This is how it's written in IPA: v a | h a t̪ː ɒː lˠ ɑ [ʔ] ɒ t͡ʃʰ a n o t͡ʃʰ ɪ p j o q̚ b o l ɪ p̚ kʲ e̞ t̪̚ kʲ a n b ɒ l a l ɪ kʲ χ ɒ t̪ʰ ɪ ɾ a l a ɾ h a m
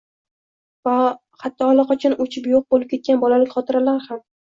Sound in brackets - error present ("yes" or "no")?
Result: yes